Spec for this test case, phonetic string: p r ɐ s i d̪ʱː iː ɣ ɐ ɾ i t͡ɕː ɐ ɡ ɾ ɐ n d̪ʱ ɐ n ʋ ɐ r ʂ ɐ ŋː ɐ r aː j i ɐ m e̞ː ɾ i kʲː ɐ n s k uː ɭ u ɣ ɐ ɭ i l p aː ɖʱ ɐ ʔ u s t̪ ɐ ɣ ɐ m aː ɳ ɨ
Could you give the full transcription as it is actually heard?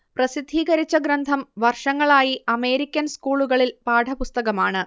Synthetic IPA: p r ɐ s i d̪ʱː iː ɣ ɐ ɾ i t͡ɕː ɐ ɡ ɾ ɐ n d̪ʱ ɐ m ʋ ɐ r ʂ ɐ ŋː ɐ ɭ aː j i ɐ m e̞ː ɾ i kʲː ɐ n s k uː ɭ u ɣ ɐ ɭ i l p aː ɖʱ ɐ p u s t̪ ɐ ɣ ɐ m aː ɳ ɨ